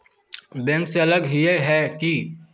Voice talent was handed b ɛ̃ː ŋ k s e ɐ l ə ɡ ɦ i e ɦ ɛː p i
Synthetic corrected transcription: b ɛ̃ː ŋ k s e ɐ l ə ɡ ɦ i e ɦ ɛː k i